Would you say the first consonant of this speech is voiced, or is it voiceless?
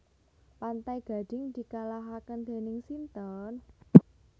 voiceless